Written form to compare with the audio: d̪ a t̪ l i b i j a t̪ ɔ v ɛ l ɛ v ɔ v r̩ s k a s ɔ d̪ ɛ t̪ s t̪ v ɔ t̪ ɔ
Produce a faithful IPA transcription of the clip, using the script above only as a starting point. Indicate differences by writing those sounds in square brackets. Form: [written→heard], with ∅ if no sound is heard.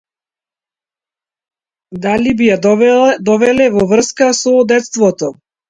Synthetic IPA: d̪ a [t̪→∅] l i b i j a [t̪→d̪] ɔ v ɛ l ɛ v ɔ v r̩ s k a s ɔ d̪ ɛ t̪ s t̪ v ɔ t̪ ɔ

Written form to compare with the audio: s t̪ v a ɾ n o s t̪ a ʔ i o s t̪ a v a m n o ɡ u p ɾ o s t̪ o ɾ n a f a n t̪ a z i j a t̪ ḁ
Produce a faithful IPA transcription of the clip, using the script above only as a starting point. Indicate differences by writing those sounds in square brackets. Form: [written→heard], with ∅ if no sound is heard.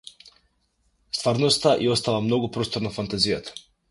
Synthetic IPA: s t̪ v a ɾ n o s t̪ a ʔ i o s t̪ a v a m n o ɡ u p ɾ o s t̪ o ɾ n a f a n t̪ a z i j a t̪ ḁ

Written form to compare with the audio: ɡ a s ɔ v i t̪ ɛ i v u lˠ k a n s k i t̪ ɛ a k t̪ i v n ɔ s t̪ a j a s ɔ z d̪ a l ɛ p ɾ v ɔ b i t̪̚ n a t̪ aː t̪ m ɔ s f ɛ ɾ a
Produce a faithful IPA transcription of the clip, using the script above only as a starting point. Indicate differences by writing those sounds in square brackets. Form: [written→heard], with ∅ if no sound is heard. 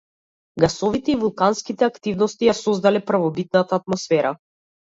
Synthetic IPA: ɡ a s ɔ v i t̪ ɛ i v u lˠ k a n s k i t̪ ɛ a k t̪ i v n ɔ s t̪ [a→i] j a s ɔ z d̪ a l ɛ p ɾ v ɔ b i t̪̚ n a t̪ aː t̪ m ɔ s f ɛ ɾ a

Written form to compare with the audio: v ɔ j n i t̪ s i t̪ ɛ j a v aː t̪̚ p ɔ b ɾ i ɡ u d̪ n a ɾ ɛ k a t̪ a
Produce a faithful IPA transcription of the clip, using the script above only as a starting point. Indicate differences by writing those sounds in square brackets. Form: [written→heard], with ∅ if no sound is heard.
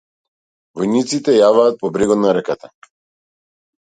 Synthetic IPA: v ɔ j n i t̪ s i t̪ ɛ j a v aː t̪̚ p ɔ b ɾ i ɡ [u→ɔ] d̪ n a ɾ ɛ k a t̪ a

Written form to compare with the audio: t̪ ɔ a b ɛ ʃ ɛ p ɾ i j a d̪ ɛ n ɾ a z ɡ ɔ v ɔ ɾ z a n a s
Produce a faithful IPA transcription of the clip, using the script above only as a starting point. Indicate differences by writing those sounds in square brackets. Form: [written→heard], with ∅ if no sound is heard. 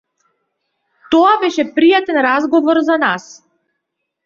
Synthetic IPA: t̪ ɔ a b ɛ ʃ ɛ p ɾ i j a [d̪→t̪] ɛ n ɾ a z ɡ ɔ v ɔ ɾ z a n a s

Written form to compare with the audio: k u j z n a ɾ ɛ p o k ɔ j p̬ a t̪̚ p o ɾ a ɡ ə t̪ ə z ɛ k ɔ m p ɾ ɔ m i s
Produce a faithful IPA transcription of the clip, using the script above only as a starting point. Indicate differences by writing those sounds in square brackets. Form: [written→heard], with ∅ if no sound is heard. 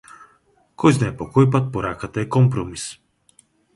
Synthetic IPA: k [u→ɔ] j z n a [ɾ→∅] ɛ p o k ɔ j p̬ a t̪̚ p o ɾ a [ɡ→k] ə t̪ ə [z→∅] ɛ k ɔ m p ɾ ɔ m i s

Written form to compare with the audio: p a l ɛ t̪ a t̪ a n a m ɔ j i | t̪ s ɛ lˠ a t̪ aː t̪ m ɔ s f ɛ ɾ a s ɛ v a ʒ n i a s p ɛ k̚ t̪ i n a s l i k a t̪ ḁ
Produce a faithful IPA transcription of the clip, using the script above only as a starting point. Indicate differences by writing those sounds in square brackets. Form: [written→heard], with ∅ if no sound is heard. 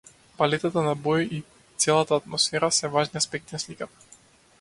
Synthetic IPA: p a l ɛ t̪ a t̪ a n a [m→b] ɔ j i | t̪ s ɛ lˠ a t̪ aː t̪ m ɔ s f ɛ ɾ a s ɛ v a ʒ n i a s p ɛ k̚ t̪ i n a s l i k a t̪ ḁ

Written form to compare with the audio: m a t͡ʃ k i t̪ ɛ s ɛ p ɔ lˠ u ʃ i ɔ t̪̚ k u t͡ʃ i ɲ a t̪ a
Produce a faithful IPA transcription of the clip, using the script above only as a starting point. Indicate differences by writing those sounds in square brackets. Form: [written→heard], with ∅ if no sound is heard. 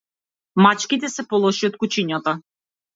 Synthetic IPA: m a t͡ʃ k i t̪ ɛ s ɛ p ɔ lˠ [u→ɔ] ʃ i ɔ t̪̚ k u t͡ʃ i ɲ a t̪ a

